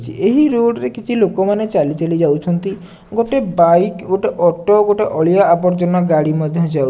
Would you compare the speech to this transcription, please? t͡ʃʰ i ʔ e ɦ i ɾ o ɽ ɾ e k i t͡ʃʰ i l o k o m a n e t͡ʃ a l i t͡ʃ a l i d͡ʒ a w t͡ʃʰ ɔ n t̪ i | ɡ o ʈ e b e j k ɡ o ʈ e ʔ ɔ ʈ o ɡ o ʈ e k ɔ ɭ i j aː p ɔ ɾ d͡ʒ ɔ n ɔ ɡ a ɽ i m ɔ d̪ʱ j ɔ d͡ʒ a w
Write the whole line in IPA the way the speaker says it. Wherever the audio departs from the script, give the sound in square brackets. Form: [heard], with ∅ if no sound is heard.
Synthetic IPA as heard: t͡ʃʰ i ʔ e ɦ i ɾ o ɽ ɾ e k i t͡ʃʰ i l o k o m a n e t͡ʃ a l i t͡ʃ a l i d͡ʒ a w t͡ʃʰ ɔ n t̪ i | ɡ o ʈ e b [a] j k ɡ o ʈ e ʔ ɔ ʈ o ɡ o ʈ e [ʔ] ɔ ɭ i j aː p ɔ ɾ d͡ʒ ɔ n ɔ ɡ a ɽ i m ɔ d̪ʱ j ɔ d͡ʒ a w